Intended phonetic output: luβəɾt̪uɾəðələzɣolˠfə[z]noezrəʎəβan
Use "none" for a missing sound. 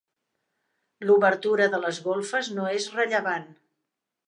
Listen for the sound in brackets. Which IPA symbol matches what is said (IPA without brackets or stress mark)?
z